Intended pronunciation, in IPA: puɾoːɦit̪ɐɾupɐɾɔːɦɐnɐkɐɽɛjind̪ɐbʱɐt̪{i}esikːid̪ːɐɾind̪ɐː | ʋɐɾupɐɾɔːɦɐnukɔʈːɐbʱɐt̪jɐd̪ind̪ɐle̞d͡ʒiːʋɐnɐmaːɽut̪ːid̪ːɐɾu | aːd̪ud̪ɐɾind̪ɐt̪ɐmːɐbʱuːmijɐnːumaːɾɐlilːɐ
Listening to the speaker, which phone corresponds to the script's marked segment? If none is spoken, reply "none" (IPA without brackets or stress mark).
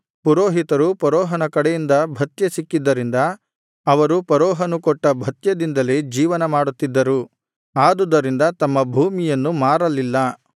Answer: j